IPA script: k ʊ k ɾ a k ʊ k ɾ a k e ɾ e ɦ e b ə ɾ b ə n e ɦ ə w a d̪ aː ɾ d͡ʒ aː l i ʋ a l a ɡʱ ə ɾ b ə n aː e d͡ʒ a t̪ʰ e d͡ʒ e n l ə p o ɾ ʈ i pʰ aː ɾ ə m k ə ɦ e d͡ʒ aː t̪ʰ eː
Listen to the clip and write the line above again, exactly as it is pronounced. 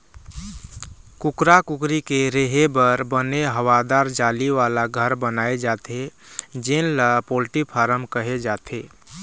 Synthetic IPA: k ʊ k ɾ a k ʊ k ɾ i k e ɾ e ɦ e b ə ɾ b ə n e ɦ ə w a d̪ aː ɾ d͡ʒ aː l i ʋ a l a ɡʱ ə ɾ b ə n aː e d͡ʒ a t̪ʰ e d͡ʒ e n l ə p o l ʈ i pʰ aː ɾ ə m k ə ɦ e d͡ʒ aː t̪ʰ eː